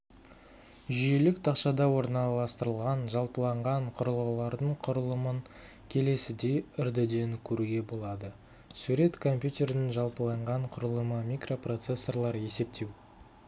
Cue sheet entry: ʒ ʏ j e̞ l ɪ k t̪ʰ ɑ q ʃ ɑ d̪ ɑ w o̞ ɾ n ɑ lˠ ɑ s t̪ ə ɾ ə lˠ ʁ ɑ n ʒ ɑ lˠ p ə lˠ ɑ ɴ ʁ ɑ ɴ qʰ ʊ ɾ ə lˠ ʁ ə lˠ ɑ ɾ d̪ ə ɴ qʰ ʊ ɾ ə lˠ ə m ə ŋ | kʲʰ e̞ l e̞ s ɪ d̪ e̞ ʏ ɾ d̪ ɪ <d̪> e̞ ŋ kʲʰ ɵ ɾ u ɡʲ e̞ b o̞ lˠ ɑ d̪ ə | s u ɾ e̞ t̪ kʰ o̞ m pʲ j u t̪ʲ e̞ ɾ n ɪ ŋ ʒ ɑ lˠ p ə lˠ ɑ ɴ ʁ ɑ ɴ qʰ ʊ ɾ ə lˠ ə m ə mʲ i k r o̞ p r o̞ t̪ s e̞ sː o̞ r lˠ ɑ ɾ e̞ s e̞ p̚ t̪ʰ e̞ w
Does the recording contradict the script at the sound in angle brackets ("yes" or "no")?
no